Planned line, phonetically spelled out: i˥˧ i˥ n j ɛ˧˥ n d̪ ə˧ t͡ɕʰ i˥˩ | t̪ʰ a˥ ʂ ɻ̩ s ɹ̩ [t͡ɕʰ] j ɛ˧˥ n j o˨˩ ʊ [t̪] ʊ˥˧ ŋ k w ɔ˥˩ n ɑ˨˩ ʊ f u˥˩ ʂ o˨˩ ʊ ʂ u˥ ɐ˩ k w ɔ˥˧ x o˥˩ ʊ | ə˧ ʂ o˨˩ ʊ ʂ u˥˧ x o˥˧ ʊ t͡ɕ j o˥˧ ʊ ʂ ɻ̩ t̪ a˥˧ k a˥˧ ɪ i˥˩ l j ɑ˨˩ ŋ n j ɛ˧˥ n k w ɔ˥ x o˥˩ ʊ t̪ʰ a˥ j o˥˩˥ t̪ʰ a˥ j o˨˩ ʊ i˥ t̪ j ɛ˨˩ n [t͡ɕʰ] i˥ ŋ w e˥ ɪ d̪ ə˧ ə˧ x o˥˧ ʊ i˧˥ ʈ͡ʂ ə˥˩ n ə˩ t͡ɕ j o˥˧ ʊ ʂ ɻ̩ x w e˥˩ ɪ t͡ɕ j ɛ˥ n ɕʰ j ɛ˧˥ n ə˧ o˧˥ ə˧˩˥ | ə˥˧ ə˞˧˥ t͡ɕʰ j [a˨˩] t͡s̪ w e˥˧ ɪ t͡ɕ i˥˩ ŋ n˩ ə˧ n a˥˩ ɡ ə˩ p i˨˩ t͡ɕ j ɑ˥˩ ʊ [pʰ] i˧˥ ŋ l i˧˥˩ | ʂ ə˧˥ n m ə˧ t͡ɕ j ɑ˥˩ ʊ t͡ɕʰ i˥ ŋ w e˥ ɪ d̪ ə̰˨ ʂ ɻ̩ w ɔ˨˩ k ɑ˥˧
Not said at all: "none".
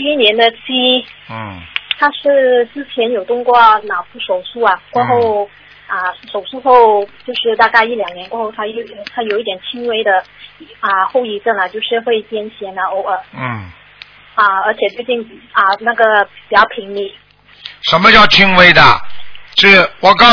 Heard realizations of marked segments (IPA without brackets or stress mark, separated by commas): t͡ɕʰ, t̪, t͡ɕʰ, ɛ˨˩, pʰ